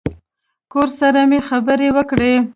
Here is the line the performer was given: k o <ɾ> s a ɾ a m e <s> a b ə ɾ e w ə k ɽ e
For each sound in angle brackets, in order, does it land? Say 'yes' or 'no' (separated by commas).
yes, no